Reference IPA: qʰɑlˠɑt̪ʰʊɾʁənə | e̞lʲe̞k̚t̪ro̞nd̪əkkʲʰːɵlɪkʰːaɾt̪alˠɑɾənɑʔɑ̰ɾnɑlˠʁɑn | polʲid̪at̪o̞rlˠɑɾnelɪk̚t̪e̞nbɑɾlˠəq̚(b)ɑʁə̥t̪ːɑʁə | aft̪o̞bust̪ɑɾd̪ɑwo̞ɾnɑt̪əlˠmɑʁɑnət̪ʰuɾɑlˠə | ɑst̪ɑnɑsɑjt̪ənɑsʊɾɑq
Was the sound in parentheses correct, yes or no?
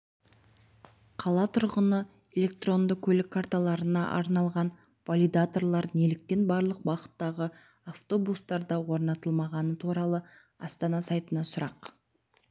yes